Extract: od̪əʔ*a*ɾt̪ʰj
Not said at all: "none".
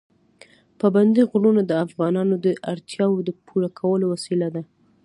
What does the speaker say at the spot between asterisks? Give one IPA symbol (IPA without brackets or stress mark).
a